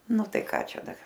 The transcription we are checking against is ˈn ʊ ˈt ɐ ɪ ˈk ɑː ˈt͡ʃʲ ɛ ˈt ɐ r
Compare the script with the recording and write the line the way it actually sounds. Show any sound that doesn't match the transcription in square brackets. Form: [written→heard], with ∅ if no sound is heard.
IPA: ˈn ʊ ˈt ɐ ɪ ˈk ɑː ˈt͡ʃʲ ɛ [ˈt→ˈd] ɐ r

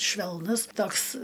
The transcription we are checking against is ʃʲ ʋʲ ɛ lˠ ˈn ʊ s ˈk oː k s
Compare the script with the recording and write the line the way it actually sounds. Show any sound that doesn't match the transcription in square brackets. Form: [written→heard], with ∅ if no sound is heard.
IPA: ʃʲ ʋʲ ɛ lˠ ˈn ʊ s [ˈk→ˈt] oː k s

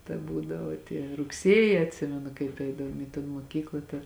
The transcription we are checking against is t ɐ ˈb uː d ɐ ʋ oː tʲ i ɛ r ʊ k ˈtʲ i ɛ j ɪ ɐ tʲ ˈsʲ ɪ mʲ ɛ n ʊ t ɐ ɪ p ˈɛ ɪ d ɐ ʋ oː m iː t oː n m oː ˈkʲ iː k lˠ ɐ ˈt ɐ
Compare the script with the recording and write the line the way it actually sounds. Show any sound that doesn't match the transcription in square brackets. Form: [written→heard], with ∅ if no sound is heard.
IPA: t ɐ ˈb uː d ɐ ʋ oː tʲ i ɛ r ʊ k [ˈtʲ→ˈsʲ] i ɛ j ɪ ɐ tʲ ˈsʲ ɪ mʲ ɛ n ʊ [t→k] ɐ ɪ p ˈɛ ɪ d ɐ ʋ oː m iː t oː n m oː ˈkʲ iː k lˠ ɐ ˈt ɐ

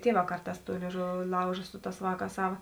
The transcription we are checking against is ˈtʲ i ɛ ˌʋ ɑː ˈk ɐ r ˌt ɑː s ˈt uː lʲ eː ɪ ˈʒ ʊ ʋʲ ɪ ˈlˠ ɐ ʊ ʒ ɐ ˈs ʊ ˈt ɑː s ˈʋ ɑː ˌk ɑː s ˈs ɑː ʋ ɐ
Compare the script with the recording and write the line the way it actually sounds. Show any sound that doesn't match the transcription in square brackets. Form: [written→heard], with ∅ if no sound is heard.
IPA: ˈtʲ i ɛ ˌʋ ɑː ˈk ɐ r ˌt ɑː s ˈt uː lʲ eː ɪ ˈʒ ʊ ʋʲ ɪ ˈlˠ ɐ ʊ ʒ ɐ ˈs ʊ ˈt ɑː s ˈʋ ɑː ˌk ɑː s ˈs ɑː ʋ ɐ

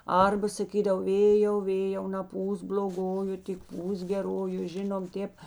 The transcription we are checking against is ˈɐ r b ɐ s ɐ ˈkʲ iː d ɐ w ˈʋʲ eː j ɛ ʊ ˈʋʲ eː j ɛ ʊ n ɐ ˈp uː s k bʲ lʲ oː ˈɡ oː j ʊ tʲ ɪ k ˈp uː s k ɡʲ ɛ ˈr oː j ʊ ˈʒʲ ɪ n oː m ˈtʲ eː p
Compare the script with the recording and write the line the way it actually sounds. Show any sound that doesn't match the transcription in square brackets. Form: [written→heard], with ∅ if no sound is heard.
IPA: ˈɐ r b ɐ s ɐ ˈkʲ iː d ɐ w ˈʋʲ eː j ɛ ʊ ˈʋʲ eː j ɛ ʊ n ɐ ˈp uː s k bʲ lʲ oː ˈɡ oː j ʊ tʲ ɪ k ˈp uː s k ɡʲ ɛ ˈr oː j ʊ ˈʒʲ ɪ n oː m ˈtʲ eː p

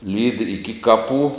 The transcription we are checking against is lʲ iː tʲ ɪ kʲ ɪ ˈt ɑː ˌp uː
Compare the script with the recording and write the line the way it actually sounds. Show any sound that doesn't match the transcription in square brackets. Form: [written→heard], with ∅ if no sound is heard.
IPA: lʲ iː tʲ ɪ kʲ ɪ [ˈt→ˈk] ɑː ˌp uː

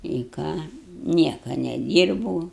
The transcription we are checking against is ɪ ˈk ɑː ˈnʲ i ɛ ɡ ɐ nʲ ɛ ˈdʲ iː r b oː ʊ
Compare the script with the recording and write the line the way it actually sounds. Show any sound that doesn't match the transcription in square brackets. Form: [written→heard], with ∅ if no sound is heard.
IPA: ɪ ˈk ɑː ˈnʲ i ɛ [ɡ→k] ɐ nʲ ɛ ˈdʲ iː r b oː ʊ

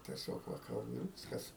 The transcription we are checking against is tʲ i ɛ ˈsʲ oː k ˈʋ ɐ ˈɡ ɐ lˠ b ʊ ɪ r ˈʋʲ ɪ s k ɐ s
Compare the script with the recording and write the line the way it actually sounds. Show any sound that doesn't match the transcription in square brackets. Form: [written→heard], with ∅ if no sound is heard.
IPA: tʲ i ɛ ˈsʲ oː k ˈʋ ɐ [ˈɡ→ˈk] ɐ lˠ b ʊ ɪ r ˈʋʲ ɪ s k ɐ s

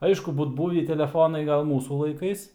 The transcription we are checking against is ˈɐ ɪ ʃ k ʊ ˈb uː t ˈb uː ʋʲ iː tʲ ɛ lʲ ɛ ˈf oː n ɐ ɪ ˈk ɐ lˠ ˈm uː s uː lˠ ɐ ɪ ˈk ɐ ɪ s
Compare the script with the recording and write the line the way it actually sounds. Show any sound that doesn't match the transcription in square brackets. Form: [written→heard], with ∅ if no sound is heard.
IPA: ˈɐ ɪ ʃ k ʊ ˈb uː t ˈb uː ʋʲ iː tʲ ɛ lʲ ɛ ˈf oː n ɐ ɪ [ˈk→ˈɡ] ɐ lˠ ˈm uː s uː lˠ ɐ ɪ ˈk ɐ ɪ s

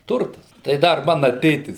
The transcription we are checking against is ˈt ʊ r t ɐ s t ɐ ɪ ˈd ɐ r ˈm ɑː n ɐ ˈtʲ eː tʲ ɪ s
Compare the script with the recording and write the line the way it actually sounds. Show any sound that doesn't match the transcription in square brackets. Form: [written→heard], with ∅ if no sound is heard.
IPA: ˈt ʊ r t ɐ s t ɐ ɪ ˈd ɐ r ˈm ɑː n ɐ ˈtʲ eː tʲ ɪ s

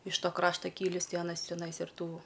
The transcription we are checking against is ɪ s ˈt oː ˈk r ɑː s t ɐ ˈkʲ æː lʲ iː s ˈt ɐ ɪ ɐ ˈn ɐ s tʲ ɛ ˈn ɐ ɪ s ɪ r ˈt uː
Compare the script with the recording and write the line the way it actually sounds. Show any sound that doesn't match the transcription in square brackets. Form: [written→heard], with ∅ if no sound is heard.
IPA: ɪ [s→ʃ] ˈt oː ˈk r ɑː [s→ʃ] t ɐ ˈkʲ [æː→iː] lʲ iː s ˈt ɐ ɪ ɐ ˈn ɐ s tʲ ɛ ˈn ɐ ɪ s ɪ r ˈt uː

